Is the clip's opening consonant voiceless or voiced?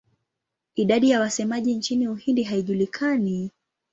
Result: voiced